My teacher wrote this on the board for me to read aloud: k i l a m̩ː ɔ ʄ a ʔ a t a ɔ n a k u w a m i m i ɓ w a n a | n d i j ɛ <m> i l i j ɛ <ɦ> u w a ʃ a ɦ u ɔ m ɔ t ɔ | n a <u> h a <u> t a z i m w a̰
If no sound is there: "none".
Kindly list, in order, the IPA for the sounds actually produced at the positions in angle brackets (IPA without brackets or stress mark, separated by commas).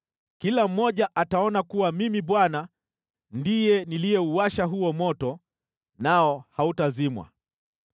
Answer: n, none, ɔ, u